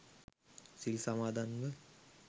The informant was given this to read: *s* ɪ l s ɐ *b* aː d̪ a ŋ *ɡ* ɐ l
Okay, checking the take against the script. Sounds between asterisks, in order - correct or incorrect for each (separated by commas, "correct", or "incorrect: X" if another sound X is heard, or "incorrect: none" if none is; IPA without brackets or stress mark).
correct, incorrect: m, correct